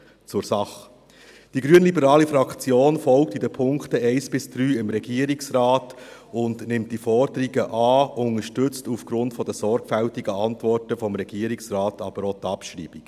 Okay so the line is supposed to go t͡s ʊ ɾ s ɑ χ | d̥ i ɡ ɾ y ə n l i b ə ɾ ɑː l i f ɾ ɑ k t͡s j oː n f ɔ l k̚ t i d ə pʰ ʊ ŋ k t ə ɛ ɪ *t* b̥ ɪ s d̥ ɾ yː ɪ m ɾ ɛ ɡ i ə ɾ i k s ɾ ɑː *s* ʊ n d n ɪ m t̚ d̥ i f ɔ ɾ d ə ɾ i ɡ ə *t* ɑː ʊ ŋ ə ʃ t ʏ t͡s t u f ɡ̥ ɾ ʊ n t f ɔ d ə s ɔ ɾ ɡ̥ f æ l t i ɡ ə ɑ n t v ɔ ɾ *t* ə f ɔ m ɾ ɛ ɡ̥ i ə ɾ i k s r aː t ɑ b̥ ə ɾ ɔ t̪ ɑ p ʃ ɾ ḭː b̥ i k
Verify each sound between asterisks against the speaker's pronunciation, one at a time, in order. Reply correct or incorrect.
incorrect, incorrect, incorrect, correct

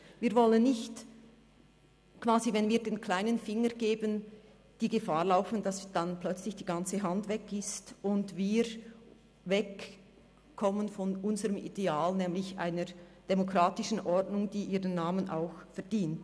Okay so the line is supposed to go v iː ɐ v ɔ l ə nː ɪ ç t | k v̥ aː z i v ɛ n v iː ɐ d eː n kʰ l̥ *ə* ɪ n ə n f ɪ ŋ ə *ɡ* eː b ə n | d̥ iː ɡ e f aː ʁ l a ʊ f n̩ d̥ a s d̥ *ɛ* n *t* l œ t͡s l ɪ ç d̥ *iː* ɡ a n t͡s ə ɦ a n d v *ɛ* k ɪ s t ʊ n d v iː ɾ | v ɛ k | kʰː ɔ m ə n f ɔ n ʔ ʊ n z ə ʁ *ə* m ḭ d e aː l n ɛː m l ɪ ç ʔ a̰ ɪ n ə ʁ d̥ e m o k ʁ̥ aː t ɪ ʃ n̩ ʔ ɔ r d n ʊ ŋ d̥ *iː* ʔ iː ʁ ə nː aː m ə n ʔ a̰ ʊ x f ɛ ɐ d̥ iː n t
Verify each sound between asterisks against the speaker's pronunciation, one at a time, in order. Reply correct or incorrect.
incorrect, correct, incorrect, incorrect, correct, correct, correct, correct

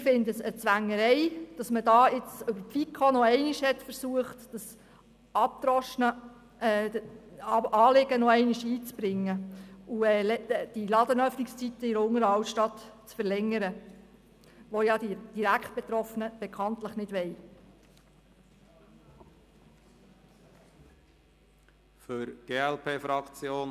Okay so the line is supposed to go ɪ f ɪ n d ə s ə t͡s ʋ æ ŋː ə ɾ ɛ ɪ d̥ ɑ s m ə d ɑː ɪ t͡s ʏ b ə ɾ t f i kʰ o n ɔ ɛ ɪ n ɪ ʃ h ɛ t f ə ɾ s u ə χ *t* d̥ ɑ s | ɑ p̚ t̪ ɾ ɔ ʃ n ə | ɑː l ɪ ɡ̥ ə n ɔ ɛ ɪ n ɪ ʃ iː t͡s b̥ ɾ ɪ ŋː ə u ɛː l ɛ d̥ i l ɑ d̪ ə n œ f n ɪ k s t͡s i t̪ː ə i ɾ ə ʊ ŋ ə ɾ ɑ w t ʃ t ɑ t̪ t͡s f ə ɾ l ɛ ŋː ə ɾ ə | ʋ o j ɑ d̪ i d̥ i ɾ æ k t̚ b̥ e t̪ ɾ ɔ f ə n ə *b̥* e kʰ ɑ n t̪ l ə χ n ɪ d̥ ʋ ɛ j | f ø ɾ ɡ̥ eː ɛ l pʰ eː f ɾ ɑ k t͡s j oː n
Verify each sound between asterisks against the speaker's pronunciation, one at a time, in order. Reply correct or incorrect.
correct, correct

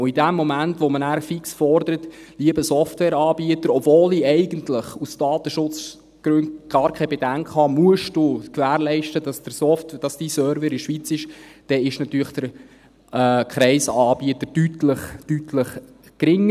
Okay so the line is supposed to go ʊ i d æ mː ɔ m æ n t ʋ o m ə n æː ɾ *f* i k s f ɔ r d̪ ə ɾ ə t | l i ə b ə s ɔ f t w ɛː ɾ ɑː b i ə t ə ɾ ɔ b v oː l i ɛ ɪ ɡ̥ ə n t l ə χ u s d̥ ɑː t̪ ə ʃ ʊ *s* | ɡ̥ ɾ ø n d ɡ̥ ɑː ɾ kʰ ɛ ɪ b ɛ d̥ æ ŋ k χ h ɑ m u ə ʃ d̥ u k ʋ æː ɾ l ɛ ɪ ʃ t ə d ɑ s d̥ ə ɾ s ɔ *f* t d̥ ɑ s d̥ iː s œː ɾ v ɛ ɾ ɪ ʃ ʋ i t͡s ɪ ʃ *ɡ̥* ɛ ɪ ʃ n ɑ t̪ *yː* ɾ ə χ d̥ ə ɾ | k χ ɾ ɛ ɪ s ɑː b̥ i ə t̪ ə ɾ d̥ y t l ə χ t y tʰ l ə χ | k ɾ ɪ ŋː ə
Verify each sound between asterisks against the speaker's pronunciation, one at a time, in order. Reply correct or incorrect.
correct, incorrect, correct, incorrect, correct

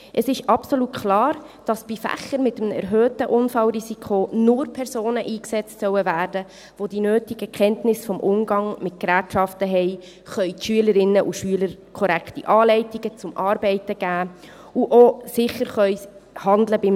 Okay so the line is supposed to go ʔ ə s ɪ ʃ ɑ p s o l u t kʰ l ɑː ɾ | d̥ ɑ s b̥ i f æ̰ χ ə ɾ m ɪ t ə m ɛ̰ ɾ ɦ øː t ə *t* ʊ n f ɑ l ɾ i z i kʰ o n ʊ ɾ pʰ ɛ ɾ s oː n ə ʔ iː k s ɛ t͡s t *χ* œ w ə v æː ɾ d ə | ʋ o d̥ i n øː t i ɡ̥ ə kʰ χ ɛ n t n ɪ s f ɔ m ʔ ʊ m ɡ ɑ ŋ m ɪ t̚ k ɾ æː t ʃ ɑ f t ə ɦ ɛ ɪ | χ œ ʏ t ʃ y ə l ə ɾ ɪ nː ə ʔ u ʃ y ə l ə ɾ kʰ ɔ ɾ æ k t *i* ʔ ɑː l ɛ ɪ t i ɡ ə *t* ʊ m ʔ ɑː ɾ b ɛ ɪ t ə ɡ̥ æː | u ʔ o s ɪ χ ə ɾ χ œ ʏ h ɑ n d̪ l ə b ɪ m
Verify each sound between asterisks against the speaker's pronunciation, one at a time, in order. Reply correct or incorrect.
incorrect, incorrect, correct, incorrect

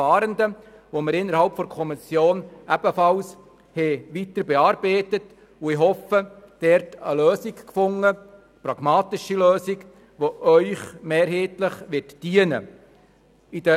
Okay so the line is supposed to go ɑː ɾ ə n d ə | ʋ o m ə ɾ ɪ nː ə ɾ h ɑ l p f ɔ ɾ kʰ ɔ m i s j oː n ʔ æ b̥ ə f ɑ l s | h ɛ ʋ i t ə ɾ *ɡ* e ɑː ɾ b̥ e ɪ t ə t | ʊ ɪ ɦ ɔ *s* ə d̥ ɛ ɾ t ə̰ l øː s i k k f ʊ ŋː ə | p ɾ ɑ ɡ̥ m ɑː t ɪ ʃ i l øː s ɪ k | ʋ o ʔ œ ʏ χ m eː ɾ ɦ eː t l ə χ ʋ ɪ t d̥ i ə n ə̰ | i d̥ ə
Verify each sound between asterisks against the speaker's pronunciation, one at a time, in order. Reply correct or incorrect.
incorrect, incorrect

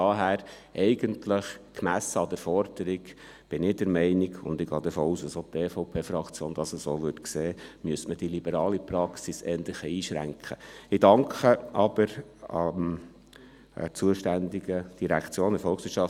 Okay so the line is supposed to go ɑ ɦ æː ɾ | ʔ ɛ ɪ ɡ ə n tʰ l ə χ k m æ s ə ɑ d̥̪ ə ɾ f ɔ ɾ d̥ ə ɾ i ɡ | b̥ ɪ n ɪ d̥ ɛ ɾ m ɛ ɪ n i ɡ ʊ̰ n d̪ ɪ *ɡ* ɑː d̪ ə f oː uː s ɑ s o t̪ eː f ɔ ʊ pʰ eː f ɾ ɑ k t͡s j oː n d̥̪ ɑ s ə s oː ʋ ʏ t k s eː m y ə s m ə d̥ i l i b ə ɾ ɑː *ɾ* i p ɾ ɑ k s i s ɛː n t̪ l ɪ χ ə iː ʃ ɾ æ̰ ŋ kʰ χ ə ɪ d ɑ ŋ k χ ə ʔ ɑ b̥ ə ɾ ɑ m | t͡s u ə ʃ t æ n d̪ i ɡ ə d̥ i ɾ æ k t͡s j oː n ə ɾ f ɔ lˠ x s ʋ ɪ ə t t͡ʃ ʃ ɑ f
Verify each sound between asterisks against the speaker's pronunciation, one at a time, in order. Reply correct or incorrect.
correct, incorrect

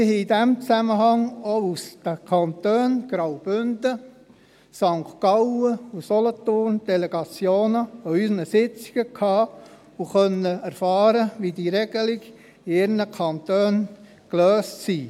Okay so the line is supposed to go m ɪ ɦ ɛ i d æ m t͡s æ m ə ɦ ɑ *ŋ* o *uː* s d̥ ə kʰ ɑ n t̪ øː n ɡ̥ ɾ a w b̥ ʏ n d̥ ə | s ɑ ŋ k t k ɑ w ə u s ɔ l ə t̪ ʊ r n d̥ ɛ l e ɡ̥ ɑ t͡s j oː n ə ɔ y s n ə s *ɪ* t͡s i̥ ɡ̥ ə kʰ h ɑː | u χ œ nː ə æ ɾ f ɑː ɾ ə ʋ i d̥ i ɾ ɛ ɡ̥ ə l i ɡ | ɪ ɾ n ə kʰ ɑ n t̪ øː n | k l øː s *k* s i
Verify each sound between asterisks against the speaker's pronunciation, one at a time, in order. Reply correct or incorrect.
correct, incorrect, correct, incorrect

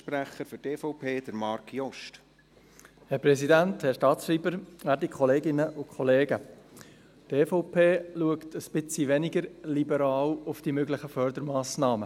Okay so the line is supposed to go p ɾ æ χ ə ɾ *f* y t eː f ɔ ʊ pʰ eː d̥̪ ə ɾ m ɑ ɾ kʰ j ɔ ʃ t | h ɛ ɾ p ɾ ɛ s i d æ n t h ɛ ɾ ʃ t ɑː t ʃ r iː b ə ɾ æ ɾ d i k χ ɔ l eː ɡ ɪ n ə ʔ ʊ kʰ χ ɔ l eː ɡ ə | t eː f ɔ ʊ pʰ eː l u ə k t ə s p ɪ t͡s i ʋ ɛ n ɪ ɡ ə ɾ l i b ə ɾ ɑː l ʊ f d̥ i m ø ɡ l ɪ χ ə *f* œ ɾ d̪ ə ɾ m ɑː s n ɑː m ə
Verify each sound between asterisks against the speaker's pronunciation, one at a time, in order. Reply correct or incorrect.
correct, correct

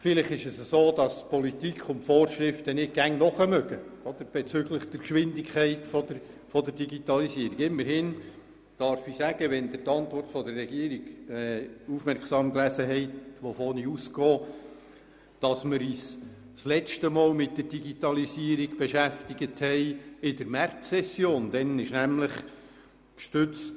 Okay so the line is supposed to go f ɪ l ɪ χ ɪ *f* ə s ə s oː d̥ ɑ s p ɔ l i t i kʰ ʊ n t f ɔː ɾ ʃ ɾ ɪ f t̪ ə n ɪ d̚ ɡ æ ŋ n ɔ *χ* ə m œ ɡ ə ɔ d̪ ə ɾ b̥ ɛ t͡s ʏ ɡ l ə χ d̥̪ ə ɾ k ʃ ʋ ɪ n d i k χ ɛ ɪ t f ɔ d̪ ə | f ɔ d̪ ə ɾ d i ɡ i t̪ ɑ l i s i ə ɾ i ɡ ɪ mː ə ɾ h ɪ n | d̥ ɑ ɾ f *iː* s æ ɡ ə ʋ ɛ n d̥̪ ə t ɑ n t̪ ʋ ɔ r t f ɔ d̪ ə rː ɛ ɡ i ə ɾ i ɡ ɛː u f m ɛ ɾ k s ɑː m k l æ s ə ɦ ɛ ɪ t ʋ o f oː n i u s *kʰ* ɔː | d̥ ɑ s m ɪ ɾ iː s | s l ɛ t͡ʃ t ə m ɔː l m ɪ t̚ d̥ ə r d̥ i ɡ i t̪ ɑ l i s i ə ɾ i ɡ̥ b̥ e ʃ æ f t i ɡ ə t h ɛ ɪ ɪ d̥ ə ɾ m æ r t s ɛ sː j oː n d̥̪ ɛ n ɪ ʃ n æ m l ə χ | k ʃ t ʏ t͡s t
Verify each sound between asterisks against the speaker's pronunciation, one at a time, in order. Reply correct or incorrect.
incorrect, correct, incorrect, incorrect

